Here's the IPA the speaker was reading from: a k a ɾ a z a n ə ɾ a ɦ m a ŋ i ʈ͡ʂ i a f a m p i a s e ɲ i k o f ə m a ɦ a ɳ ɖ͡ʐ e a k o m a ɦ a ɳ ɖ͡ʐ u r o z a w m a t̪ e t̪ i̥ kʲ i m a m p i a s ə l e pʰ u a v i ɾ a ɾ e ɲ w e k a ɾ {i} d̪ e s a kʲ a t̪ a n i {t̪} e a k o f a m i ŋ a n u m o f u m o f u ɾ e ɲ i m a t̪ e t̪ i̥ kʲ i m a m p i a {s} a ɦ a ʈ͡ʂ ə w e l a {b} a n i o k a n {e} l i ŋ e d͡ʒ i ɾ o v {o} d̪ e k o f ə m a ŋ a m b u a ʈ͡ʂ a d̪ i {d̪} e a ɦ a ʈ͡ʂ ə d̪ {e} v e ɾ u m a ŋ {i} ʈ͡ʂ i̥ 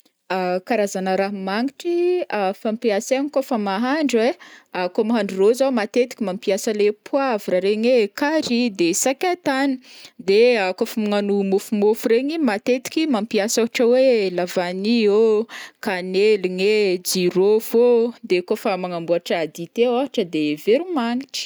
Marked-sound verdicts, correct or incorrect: correct, incorrect: d̪, correct, incorrect: v, correct, correct, incorrect: t̪, correct, correct

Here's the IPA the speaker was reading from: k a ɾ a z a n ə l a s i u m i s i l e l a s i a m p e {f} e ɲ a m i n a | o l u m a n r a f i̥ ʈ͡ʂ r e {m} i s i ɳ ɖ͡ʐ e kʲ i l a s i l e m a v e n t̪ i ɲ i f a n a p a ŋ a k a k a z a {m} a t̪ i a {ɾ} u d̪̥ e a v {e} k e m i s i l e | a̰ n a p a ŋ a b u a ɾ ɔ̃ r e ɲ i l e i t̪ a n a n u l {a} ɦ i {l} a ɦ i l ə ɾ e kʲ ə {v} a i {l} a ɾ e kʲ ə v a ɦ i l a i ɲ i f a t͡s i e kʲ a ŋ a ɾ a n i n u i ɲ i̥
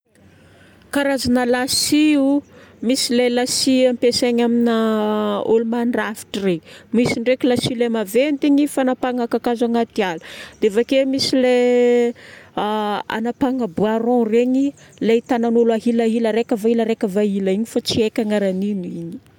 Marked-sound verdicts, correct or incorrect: incorrect: s, correct, incorrect: ŋ, incorrect: l, incorrect: a, correct, correct, correct, correct

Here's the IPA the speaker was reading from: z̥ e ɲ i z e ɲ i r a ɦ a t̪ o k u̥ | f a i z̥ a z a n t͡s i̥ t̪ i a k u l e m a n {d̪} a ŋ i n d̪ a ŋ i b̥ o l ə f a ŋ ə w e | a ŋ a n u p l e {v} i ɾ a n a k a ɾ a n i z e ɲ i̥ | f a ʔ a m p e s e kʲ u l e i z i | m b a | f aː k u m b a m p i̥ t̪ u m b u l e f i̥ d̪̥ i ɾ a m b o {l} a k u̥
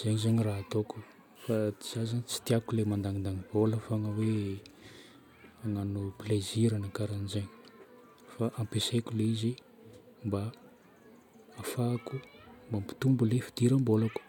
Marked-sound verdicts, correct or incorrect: correct, incorrect: z, correct

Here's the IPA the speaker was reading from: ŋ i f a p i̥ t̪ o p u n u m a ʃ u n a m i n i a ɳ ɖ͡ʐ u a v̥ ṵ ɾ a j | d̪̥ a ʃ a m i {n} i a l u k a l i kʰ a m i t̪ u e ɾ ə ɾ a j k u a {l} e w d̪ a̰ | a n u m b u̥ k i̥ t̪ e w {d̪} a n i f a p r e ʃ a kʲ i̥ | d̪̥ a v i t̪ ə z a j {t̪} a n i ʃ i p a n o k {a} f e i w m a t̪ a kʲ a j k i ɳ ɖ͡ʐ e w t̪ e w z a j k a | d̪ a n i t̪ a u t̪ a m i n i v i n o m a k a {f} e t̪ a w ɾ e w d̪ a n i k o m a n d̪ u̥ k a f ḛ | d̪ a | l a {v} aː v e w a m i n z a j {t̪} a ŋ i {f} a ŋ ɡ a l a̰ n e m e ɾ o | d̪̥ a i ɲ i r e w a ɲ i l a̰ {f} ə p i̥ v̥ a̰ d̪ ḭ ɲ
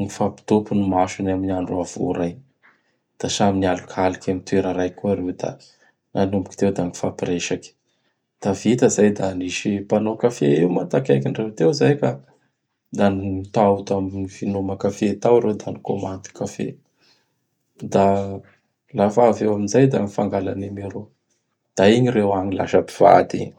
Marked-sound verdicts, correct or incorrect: correct, incorrect: ɾ, correct, incorrect: d̪, correct, correct, incorrect: f, incorrect: d̪, correct, incorrect: ʃ

